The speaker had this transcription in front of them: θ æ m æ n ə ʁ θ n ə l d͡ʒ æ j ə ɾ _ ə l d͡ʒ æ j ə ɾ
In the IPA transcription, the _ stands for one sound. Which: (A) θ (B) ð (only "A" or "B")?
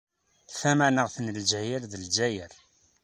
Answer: B